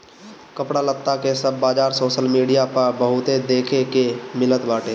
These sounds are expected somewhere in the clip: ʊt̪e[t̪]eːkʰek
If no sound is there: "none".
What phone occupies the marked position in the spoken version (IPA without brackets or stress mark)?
d̪